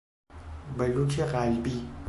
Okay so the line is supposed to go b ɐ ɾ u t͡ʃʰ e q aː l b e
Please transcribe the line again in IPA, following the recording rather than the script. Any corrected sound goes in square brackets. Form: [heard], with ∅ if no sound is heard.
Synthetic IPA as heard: b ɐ [l] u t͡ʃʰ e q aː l b [i]